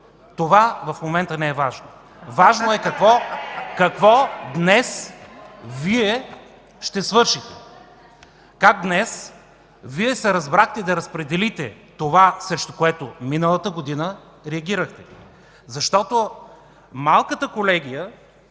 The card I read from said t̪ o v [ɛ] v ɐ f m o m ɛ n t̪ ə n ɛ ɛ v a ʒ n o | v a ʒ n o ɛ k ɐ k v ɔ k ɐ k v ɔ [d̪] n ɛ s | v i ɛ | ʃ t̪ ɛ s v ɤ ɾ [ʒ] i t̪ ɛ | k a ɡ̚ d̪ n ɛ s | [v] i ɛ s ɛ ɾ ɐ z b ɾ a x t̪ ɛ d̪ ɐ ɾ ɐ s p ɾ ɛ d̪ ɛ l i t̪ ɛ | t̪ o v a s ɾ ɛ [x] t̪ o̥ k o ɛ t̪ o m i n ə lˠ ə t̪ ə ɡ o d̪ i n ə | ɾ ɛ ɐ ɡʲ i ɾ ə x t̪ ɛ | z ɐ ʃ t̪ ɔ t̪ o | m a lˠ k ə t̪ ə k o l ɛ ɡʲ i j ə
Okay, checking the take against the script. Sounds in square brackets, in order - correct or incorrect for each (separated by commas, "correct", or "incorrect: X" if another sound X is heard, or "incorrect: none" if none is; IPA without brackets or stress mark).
incorrect: a, correct, incorrect: ʃ, correct, incorrect: ʃ